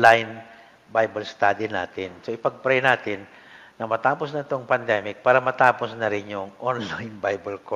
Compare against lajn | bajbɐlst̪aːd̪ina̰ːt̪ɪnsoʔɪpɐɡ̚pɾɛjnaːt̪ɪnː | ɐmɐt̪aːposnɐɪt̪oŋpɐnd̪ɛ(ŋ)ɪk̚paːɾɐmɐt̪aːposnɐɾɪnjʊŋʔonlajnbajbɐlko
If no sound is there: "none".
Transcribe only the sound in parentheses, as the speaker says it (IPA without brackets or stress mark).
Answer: m